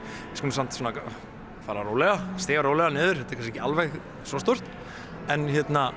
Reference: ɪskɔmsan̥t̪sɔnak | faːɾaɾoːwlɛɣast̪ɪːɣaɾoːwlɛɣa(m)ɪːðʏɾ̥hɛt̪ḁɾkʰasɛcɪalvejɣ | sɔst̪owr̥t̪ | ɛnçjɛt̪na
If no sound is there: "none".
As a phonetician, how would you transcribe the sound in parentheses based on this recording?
n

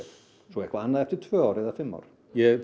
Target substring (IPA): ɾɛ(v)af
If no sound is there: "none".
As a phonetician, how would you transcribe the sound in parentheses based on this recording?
ð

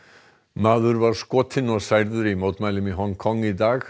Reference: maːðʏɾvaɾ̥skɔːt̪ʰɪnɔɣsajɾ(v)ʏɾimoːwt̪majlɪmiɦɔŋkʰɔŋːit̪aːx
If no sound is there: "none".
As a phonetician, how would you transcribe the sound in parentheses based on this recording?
ð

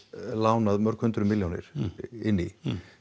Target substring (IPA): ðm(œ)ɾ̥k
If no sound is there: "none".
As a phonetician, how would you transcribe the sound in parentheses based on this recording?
œ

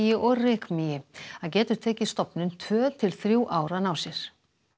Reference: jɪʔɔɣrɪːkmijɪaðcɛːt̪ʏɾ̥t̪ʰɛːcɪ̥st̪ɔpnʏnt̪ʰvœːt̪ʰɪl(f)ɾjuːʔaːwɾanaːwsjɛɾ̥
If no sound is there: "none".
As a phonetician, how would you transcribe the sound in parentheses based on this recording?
θ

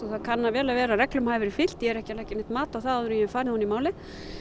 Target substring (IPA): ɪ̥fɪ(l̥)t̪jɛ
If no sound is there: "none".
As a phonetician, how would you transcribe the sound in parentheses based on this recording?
l̥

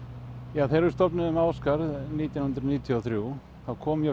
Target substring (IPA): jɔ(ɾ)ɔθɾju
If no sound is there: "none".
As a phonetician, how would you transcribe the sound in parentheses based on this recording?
none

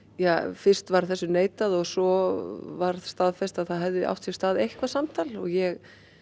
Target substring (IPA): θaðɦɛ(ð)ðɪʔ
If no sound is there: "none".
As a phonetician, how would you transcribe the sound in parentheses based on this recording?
v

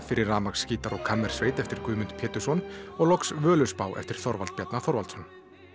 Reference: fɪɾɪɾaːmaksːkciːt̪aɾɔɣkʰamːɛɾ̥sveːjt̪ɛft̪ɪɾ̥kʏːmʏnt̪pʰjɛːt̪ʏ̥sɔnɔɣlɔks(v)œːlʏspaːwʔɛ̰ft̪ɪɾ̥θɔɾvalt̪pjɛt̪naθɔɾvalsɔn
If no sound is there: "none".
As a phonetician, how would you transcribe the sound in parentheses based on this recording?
v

